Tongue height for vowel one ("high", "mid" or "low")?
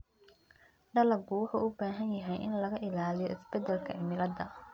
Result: low